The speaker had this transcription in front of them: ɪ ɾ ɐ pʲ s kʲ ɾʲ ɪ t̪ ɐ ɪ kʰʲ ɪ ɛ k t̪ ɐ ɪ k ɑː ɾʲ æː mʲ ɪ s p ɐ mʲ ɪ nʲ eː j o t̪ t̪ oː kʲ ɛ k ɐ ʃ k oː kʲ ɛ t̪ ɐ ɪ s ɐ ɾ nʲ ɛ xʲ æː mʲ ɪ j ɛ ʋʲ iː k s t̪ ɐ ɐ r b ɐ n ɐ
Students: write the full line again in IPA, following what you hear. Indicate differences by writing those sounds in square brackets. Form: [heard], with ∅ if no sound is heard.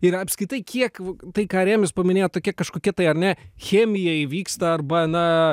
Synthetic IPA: ɪ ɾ ɐ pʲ s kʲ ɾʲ ɪ t̪ ɐ ɪ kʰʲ [i] ɛ k t̪ ɐ ɪ k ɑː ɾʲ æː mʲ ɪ s p ɐ mʲ ɪ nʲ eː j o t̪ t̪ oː kʲ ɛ k ɐ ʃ k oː kʲ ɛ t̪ ɐ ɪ [∅] ɐ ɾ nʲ ɛ xʲ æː mʲ ɪ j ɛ ʋʲ iː k s t̪ ɐ ɐ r b ɐ n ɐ